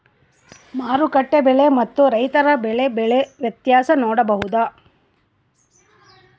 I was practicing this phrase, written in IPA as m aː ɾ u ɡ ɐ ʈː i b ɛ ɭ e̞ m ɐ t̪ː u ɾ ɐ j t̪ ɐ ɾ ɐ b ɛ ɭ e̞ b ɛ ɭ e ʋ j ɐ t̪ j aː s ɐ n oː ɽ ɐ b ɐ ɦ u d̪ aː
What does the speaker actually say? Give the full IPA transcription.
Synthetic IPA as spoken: m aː ɾ u k ɐ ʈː e b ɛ ɭ e̞ m ɐ t̪ː u ɾ ɐ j t̪ ɐ ɾ ɐ b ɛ ɭ e̞ b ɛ ɭ e ʋ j ɐ t̪ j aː s ɐ n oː ɽ ɐ b ɐ ɦ u d̪ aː